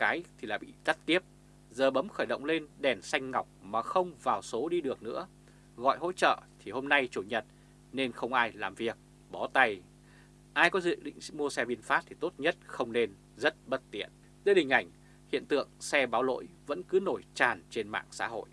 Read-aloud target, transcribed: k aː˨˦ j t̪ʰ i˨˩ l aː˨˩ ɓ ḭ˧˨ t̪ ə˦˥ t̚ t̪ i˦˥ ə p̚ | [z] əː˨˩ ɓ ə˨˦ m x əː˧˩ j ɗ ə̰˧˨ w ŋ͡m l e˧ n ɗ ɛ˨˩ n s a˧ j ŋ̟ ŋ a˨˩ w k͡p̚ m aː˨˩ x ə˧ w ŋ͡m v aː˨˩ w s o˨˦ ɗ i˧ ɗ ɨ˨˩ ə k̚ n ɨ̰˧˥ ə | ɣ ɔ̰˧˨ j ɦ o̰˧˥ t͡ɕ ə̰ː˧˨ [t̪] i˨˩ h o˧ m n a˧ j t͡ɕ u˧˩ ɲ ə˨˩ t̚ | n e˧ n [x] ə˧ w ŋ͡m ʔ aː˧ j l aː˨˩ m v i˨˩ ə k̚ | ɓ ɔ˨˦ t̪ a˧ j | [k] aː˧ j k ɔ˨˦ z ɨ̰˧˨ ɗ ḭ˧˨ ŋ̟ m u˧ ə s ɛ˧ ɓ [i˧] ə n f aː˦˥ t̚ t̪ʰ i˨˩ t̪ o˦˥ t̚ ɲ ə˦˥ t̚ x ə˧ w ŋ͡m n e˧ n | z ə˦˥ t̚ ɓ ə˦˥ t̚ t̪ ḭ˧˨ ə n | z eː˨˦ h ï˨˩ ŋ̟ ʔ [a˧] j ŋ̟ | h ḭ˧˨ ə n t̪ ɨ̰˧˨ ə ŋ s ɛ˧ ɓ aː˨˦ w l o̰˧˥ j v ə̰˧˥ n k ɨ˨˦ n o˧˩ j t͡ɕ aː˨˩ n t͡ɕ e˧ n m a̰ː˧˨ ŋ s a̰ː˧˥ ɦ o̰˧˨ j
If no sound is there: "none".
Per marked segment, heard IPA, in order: z, t̪ʰ, x, ʔ, i˧, a˧˩

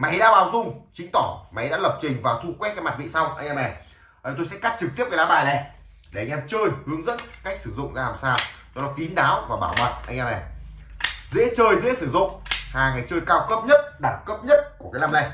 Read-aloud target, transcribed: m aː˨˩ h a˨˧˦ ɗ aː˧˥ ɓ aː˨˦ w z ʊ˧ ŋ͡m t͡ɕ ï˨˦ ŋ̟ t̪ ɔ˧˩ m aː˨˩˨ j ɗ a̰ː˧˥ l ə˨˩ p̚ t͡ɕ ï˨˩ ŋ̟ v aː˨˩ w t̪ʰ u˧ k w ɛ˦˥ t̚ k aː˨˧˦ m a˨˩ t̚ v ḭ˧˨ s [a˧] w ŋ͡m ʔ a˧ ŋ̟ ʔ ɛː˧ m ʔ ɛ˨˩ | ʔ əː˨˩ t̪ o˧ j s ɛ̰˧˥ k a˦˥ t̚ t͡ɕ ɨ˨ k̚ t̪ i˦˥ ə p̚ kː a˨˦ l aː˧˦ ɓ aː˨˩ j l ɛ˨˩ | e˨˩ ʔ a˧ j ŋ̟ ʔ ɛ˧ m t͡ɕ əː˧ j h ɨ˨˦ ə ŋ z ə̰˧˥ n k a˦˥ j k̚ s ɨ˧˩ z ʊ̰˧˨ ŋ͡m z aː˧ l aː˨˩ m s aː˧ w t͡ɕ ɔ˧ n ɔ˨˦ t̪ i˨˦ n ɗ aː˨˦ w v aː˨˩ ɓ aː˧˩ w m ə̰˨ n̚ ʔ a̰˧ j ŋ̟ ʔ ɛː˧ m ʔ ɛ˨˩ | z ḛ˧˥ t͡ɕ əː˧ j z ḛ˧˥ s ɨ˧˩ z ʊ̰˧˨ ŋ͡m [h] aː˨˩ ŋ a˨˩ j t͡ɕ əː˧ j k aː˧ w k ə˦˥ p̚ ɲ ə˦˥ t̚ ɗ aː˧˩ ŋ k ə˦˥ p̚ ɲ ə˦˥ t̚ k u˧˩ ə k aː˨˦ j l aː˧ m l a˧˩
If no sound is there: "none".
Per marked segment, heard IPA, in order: a˧, h

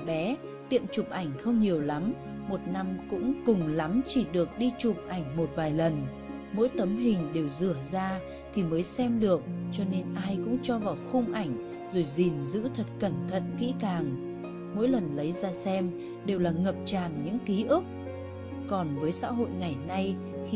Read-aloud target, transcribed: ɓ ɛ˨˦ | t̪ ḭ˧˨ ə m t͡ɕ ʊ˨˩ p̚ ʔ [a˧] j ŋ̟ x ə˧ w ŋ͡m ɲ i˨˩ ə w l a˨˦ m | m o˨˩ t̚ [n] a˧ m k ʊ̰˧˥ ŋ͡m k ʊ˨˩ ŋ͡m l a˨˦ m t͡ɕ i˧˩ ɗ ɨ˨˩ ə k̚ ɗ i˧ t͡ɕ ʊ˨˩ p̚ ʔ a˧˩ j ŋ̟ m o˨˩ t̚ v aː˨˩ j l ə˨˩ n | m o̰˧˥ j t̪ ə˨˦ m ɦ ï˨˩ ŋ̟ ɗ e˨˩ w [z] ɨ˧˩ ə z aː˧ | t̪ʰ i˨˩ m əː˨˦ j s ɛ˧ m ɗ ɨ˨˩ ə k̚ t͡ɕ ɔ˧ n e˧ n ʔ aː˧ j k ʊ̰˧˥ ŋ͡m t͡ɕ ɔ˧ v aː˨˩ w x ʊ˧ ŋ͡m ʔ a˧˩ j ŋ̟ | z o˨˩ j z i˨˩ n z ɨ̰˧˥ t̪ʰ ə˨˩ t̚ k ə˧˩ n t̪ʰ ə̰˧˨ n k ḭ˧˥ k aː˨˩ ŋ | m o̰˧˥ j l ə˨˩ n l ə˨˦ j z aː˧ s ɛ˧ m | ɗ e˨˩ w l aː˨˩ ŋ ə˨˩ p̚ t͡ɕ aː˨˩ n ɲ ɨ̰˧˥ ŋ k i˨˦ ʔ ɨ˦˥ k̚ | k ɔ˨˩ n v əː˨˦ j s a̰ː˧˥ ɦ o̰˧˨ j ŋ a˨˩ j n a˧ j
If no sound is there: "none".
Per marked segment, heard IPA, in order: a˧˩, n, z

